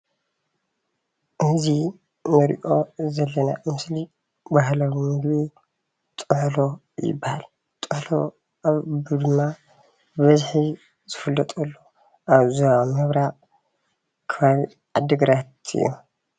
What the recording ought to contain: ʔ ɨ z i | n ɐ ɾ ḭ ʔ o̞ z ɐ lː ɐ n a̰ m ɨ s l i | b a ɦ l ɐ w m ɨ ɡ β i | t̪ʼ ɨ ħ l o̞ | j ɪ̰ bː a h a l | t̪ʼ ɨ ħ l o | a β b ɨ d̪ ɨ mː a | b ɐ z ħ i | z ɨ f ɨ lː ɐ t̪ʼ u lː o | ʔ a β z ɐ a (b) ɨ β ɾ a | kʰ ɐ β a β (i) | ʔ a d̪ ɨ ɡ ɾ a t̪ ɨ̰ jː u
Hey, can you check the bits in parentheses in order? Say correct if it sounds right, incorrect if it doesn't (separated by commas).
incorrect, correct